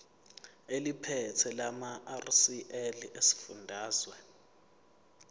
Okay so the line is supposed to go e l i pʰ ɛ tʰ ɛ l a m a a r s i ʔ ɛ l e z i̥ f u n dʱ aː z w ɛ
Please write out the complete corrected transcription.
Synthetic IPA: e l i pʰ ɛ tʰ ɛ l a m a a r s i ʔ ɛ l e s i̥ f u n dʱ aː z w ɛ